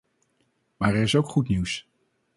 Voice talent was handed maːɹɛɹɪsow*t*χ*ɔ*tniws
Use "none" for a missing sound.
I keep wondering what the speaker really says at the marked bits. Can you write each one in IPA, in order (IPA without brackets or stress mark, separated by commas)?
k, u